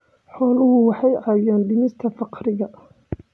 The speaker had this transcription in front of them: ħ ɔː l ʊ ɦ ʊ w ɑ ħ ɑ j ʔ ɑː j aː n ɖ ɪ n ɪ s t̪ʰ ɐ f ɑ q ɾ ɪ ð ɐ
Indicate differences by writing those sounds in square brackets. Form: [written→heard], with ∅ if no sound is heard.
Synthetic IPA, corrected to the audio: ħ ɔː l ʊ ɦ ʊ w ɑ ħ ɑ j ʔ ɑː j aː n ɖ ɪ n ɪ s t̪ʰ ɐ f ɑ q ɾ ɪ [ð→ɣ] ɐ